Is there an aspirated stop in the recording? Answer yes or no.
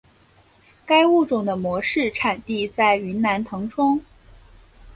yes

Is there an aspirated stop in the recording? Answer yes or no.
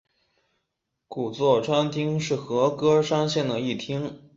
yes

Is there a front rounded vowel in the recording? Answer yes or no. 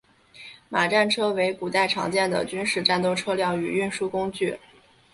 yes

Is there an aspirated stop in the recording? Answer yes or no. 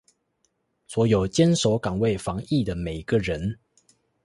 no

